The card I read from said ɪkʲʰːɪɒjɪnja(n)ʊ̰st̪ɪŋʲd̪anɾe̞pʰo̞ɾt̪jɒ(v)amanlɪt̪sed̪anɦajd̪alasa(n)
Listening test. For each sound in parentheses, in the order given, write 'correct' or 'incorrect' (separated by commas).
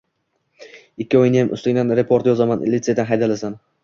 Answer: incorrect, incorrect, correct